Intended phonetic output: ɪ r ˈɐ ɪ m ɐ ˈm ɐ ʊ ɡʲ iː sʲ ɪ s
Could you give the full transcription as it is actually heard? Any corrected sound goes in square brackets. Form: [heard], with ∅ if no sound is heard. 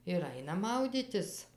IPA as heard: ɪ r ˈɐ ɪ [n] ɐ ˈm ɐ ʊ [dʲ] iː [tʲ] ɪ s